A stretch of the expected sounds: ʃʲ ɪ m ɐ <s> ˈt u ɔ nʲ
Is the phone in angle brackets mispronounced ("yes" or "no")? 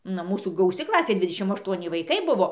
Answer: yes